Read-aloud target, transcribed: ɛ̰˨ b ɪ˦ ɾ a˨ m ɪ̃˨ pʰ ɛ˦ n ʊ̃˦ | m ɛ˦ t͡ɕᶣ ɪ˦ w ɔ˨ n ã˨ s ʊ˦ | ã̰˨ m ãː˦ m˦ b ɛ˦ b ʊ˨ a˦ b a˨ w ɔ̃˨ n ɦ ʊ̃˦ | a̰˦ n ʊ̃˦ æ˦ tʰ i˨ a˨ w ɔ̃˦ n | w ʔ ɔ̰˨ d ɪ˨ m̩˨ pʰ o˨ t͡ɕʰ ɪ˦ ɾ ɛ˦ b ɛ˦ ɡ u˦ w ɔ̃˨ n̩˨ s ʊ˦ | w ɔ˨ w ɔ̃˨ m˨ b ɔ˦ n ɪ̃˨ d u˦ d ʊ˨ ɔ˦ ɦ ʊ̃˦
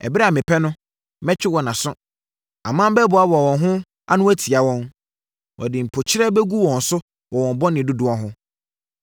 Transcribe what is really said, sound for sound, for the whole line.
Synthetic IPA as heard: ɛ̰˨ b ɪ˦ ɾ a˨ m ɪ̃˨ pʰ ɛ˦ n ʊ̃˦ | m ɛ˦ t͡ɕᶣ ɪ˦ w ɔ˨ n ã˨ s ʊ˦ | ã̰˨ m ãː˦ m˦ b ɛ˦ b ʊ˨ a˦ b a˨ w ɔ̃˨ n ɦ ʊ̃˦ | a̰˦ n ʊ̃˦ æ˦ tʰ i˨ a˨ w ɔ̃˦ n | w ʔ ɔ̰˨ d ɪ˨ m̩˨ pʰ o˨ t͡ɕʰ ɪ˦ ɾ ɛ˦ b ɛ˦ ɡ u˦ w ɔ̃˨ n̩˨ s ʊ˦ | w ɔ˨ w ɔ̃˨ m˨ b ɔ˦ n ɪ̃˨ d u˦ d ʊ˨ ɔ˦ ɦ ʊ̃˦